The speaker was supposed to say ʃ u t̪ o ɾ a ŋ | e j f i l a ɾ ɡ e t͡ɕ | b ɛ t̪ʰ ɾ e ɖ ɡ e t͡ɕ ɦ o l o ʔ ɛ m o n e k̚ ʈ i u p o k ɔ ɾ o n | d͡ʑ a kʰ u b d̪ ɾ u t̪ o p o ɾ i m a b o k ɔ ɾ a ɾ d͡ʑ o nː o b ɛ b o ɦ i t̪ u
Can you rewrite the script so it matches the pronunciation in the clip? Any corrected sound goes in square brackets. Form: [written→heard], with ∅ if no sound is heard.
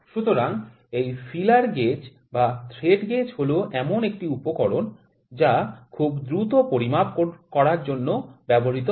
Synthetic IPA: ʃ u t̪ o ɾ a ŋ | e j f i l a ɾ ɡ e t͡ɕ | b [ɛ→a] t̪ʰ ɾ e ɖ ɡ e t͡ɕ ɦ o l o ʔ ɛ m o n e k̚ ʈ i u p o k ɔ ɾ o n | d͡ʑ a kʰ u b d̪ ɾ u t̪ o p o ɾ i m a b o k ɔ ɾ a ɾ d͡ʑ o nː o b ɛ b o ɦ i t̪ [u→o]

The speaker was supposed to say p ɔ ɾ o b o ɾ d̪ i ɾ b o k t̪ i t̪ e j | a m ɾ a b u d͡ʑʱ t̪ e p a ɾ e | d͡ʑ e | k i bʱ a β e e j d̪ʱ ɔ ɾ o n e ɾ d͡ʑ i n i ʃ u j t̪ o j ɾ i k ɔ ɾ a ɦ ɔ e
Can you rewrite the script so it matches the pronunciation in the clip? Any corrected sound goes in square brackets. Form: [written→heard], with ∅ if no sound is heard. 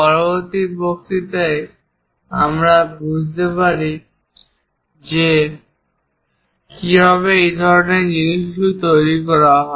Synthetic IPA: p ɔ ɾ o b o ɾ [d̪→t̪] i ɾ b o k t̪ i t̪ e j | a m ɾ a b u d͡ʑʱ t̪ e p a ɾ [e→i] | d͡ʑ e | k i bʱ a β e e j d̪ʱ ɔ ɾ o n e ɾ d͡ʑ i n i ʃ u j t̪ o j ɾ i k ɔ ɾ a ɦ ɔ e

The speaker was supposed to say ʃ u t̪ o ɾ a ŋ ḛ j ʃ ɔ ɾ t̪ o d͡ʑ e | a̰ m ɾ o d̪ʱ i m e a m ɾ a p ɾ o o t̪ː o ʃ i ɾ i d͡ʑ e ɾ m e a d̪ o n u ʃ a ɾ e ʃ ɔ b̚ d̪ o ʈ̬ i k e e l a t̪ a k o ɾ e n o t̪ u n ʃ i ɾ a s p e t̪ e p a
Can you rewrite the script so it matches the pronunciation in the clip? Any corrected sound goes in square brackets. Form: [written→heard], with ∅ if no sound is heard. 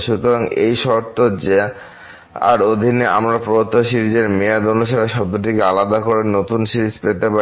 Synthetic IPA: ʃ u t̪ o ɾ a ŋ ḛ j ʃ ɔ ɾ t̪ o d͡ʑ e | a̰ [m→∅] ɾ o d̪ʱ i [m→n] e a m ɾ a p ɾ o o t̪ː o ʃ i ɾ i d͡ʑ e ɾ m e a d̪ o n u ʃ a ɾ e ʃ ɔ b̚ d̪ o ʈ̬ i k e [e→a] l a [t̪→d̪] a k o ɾ e n o t̪ u n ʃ i ɾ [a→i] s p e t̪ e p a

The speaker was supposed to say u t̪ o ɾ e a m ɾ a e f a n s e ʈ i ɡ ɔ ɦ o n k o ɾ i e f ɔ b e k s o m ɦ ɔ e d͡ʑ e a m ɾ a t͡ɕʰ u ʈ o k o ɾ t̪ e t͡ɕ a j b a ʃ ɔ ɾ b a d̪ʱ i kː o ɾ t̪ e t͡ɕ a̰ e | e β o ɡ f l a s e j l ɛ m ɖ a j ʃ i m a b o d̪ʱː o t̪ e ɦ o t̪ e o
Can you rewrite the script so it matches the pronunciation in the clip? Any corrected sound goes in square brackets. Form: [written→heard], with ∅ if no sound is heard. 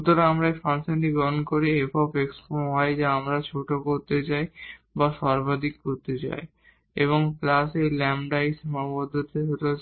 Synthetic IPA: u t̪ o ɾ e a m ɾ a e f a n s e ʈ i ɡ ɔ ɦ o n k o ɾ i e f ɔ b e k s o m ɦ ɔ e d͡ʑ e a m ɾ a t͡ɕʰ [u→o] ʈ o k o ɾ t̪ e t͡ɕ a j b a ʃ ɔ ɾ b a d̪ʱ i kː o ɾ t̪ e t͡ɕ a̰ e | e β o [ɡ→ŋ] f l a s e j l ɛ m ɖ a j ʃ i m a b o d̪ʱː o t̪ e ɦ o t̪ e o

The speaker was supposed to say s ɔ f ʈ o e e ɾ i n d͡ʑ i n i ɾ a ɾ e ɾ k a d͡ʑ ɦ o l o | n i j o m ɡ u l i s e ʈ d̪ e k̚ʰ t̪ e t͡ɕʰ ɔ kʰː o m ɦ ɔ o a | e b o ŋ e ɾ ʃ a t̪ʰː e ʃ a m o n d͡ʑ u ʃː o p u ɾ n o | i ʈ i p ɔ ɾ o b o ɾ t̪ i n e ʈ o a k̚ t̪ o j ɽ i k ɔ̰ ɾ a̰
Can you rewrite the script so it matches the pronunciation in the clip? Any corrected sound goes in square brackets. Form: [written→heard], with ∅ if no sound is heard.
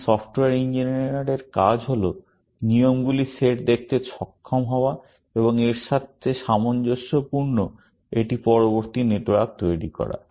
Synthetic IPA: s ɔ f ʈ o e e ɾ i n d͡ʑ i n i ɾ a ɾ e ɾ k a d͡ʑ ɦ o l o | n i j o m ɡ u l i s e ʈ d̪ e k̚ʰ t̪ e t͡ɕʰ ɔ kʰː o m ɦ ɔ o a | e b o ŋ e ɾ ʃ a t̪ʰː e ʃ a m o n d͡ʑ [u→o] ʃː o p u ɾ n o | [i→e] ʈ i p ɔ ɾ o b o ɾ t̪ i n e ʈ o a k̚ t̪ o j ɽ i k ɔ̰ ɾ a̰

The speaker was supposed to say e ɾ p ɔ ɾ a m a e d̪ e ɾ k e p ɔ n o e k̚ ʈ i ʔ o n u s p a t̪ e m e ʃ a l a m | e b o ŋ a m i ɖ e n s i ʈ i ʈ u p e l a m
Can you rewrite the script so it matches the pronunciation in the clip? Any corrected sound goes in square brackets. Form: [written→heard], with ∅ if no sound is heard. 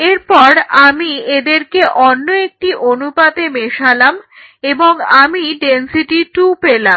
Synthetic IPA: e ɾ p ɔ ɾ a m [a→i] e d̪ e ɾ k e [p→ʔ] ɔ [n→nː] o e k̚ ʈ i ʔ o n u [s→∅] p a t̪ e m e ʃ a l a m | e b o ŋ a m i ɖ e n s i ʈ i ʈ u p e l a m

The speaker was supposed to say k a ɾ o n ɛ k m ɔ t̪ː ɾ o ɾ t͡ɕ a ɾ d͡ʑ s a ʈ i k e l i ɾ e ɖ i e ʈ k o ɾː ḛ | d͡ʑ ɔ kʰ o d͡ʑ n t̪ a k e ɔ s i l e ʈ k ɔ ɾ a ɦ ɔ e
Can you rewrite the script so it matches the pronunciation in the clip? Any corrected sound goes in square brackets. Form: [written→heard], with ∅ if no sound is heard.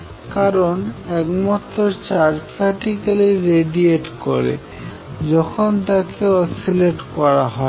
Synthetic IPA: k a ɾ o n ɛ k m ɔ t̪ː ɾ o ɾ t͡ɕ a ɾ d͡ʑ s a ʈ i k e l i ɾ e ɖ i e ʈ k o [ɾː→ɾ] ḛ | d͡ʑ ɔ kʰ o [d͡ʑ→∅] n t̪ a k e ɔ s i l e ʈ k ɔ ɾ a ɦ ɔ e

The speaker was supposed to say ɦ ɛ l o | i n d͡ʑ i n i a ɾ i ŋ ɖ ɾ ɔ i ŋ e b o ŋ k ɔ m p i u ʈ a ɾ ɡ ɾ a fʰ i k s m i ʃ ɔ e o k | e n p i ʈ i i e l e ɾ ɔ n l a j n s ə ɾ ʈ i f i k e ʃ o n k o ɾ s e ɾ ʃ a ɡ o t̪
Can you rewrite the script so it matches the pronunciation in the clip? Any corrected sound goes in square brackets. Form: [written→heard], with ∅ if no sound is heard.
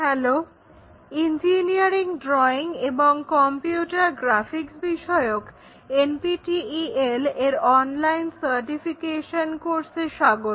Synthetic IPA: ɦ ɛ l o | i n d͡ʑ i n i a ɾ i ŋ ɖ ɾ ɔ i ŋ e b o ŋ k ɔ m p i u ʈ a ɾ ɡ ɾ a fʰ i k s [m→b] i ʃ ɔ e o k | e n p i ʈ i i e l e ɾ ɔ n l a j n s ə ɾ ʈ i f i k e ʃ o n k o ɾ s e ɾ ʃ a ɡ o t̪

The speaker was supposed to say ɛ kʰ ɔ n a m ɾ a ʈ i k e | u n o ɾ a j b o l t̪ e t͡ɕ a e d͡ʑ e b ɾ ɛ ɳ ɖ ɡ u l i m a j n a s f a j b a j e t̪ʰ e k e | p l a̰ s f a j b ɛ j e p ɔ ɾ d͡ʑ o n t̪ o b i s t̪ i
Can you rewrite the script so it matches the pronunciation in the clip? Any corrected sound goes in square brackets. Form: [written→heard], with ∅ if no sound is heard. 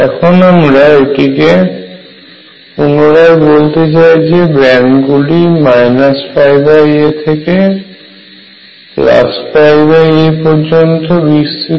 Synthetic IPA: ɛ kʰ [ɔ→o] n a m ɾ a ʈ i k e | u n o ɾ a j b o l t̪ e t͡ɕ a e d͡ʑ e b ɾ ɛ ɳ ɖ ɡ u l i m a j n a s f a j b a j e t̪ʰ e k e | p l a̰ s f a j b [ɛ→a] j e p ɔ ɾ d͡ʑ o n t̪ o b i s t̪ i

